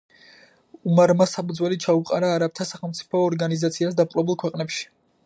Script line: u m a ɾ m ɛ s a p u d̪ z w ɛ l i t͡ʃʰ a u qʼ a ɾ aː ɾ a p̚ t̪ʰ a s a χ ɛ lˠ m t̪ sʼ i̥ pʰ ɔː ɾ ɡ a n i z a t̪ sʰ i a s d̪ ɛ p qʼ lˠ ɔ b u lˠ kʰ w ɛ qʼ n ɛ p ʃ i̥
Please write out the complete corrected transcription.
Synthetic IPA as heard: u m a ɾ m a s a p u d̪ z w ɛ l i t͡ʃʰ a u qʼ a ɾ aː ɾ a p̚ t̪ʰ a s a χ ɛ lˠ m t̪ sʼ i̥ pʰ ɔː ɾ ɡ a n i z a t̪ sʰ i a s d̪ a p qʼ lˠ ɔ b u lˠ kʰ w ɛ qʼ n ɛ p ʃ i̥